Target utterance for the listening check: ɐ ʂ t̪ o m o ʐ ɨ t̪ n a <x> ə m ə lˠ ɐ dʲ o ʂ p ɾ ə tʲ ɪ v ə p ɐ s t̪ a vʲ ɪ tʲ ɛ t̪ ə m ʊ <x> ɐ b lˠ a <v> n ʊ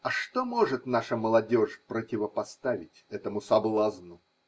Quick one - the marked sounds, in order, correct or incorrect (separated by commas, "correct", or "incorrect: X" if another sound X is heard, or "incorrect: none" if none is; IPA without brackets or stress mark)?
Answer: incorrect: ʂ, incorrect: s, incorrect: z